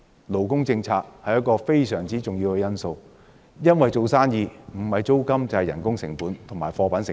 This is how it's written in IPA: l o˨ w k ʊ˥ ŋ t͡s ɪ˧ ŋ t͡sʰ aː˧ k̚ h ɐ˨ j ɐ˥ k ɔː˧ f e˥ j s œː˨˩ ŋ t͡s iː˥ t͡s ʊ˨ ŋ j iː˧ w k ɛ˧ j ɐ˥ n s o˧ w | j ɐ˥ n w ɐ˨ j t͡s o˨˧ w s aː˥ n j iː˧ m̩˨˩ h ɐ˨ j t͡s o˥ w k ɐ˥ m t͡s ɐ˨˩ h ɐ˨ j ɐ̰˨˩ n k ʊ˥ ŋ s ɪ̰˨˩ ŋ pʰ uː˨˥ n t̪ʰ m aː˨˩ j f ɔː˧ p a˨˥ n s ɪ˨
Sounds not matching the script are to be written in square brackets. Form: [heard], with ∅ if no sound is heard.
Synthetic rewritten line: l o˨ w k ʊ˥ ŋ t͡s ɪ˧ ŋ t͡sʰ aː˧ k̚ h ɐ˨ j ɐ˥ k ɔː˧ f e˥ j s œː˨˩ ŋ t͡s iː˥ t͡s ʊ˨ ŋ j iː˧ w k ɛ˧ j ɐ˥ n s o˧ w | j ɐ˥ n w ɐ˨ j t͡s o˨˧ w s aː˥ n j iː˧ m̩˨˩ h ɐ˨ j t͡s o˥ w k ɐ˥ m t͡s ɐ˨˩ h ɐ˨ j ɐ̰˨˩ n k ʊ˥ ŋ s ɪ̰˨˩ ŋ [p] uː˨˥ n t̪ʰ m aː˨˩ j f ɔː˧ p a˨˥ n s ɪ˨